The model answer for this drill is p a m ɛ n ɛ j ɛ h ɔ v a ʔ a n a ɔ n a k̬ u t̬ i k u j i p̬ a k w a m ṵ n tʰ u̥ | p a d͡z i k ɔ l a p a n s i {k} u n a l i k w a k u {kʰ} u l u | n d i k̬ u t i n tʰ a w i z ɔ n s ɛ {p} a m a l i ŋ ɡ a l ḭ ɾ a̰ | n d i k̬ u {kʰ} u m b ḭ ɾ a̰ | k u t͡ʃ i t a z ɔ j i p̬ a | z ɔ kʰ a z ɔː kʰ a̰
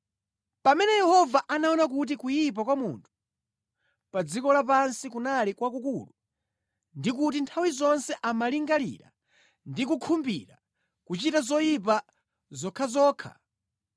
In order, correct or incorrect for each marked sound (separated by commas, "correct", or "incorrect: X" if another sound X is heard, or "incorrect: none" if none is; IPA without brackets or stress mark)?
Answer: correct, incorrect: k, incorrect: ʔ, correct